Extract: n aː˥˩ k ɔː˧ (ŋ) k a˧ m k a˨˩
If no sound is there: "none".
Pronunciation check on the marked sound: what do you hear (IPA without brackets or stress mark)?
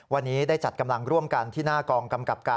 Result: ŋ